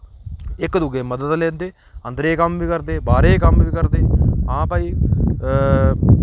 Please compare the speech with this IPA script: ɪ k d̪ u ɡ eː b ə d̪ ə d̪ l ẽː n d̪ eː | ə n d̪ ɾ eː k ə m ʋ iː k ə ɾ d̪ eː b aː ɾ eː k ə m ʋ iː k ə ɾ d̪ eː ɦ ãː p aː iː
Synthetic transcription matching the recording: ɪ k d̪ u ɡ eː m ə d̪ ə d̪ l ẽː n d̪ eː | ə n d̪ ɾ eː k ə m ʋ iː k ə ɾ d̪ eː b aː ɾ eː k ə m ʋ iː k ə ɾ d̪ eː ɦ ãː p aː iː